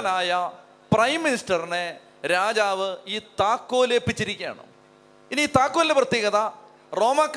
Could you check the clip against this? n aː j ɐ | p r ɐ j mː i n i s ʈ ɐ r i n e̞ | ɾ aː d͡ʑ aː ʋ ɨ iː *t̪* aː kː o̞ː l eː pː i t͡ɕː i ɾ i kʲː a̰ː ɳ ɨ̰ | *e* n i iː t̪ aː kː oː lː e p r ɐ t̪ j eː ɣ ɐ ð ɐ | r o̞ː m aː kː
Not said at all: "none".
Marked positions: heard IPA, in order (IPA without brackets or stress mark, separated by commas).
t̪, i